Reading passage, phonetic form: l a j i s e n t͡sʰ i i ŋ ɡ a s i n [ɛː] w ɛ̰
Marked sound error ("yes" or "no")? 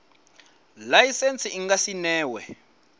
no